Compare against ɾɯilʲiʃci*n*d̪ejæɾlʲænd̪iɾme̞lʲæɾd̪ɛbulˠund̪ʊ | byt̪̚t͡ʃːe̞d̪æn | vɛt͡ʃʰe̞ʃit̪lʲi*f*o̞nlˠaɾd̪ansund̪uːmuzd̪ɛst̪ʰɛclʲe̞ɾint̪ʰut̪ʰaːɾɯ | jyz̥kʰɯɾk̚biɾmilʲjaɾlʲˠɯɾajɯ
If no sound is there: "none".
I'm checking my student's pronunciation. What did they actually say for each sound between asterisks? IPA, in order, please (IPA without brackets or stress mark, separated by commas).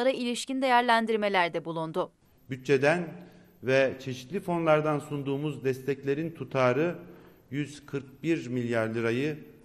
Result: n, f